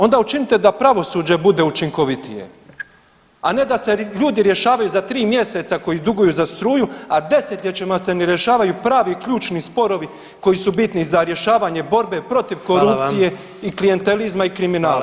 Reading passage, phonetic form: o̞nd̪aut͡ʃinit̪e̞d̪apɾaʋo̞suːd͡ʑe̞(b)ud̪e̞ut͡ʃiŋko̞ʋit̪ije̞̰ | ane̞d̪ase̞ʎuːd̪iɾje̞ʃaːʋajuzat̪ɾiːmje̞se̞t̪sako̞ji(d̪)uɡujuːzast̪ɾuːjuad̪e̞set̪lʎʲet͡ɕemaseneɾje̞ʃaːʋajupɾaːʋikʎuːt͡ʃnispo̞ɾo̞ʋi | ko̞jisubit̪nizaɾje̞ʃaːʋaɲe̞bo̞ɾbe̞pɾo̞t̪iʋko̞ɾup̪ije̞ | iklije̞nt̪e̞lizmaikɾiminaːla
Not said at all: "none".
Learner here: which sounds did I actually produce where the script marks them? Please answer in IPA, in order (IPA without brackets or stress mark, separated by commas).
b, d̪